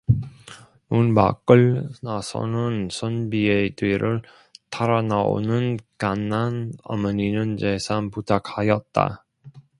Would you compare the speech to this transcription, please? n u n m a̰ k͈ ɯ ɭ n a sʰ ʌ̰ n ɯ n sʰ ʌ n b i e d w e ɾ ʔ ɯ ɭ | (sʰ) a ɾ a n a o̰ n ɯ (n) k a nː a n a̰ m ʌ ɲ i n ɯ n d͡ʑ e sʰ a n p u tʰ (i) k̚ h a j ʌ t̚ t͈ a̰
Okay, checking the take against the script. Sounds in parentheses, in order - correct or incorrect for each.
incorrect, correct, incorrect

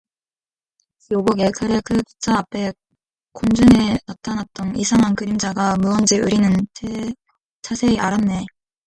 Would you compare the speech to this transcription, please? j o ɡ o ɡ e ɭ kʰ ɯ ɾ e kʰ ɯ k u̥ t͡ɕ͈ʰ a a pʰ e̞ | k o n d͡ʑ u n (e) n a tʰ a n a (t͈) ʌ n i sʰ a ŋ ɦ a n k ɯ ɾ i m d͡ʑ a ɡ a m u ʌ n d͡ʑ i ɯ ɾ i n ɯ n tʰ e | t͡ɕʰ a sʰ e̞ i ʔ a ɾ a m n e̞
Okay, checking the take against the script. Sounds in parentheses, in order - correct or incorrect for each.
correct, correct

